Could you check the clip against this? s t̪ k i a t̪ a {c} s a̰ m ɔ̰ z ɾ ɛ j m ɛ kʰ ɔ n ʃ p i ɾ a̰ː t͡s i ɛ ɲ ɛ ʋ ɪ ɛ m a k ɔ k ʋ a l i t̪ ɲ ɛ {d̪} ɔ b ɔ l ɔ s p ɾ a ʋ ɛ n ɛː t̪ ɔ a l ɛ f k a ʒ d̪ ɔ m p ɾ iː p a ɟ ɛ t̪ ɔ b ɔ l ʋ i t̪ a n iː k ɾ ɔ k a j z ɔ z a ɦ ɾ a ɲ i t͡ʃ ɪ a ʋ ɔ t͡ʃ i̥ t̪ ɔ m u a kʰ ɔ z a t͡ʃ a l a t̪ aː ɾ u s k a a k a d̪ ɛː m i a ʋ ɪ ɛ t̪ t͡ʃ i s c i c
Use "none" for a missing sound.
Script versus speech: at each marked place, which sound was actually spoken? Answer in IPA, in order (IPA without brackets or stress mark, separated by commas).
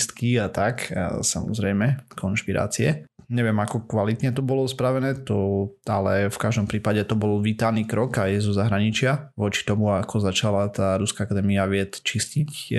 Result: k, t̪